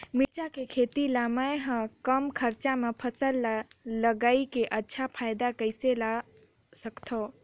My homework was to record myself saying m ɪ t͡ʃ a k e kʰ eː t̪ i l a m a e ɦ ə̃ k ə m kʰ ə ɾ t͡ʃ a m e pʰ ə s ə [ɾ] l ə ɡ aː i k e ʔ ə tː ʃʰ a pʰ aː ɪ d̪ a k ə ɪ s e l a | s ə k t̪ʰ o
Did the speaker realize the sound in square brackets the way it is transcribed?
no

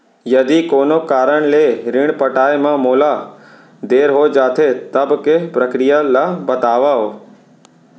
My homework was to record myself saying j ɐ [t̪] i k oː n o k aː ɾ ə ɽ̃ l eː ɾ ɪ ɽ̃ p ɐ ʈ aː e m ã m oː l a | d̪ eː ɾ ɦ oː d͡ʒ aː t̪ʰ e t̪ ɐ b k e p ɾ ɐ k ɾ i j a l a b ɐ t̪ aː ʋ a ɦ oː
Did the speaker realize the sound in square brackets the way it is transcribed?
no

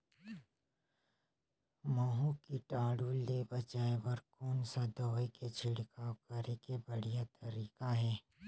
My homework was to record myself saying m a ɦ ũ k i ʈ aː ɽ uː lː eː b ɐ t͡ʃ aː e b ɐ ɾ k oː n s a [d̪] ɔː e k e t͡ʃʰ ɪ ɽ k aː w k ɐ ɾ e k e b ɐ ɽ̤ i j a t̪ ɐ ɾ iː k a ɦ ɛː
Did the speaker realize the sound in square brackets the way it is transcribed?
yes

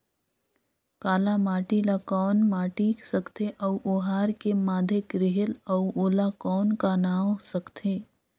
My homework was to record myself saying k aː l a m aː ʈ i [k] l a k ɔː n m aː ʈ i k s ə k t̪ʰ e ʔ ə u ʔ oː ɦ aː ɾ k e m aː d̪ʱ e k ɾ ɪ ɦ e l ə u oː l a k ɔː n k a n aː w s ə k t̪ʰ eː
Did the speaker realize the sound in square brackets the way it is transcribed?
no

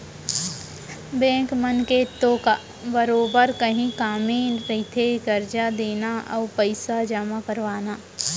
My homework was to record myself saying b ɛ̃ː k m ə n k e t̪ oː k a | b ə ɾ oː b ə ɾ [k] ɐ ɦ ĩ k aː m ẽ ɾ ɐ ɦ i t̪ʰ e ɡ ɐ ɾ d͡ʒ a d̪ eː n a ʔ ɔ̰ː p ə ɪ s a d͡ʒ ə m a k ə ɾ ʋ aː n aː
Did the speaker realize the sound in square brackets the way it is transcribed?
yes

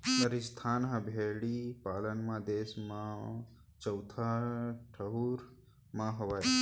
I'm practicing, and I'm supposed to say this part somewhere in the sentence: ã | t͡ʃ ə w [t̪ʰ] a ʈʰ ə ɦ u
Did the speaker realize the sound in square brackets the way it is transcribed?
yes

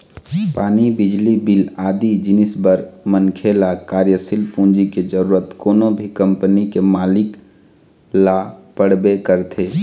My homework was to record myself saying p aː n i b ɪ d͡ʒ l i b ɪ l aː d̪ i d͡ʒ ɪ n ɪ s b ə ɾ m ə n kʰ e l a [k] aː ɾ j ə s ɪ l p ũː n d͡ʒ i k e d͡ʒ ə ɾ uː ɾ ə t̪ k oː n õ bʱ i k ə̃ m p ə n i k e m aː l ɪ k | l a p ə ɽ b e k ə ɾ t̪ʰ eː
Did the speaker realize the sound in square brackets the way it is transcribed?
yes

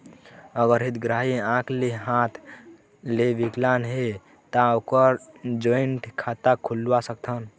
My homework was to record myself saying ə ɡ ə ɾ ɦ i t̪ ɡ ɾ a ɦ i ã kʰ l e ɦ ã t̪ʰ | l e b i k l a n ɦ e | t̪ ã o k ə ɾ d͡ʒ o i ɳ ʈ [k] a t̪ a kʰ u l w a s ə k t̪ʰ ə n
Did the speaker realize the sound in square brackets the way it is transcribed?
no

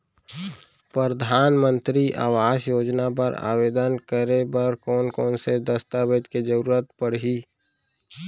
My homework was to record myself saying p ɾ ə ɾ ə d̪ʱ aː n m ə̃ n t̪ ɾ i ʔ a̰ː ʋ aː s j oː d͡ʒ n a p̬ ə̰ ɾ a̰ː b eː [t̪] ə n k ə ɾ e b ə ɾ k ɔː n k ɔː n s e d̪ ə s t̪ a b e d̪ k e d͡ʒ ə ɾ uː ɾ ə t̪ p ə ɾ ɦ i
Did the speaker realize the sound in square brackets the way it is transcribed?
no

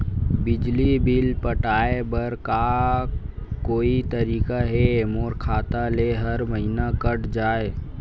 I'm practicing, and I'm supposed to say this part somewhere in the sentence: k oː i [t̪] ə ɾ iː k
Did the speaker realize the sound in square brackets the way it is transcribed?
yes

